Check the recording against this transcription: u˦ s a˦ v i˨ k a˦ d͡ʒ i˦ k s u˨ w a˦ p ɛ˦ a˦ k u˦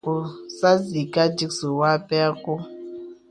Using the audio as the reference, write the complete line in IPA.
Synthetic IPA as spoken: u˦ s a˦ z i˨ k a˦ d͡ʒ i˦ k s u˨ w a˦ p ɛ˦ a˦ k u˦